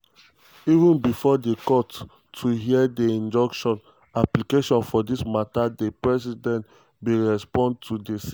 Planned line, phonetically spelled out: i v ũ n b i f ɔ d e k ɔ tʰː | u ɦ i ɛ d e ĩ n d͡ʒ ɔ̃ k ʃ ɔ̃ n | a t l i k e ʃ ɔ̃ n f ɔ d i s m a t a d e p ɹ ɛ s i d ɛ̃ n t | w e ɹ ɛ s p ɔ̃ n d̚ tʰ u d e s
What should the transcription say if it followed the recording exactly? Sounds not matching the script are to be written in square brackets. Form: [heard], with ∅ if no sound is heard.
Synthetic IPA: i v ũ n b i f ɔ d e k ɔ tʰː | u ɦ i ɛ d e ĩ n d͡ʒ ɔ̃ k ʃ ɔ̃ n | a [p] l i k e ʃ ɔ̃ n f ɔ d i s m a t a d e p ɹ ɛ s i d ɛ̃ n t | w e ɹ ɛ s p ɔ̃ n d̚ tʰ u d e s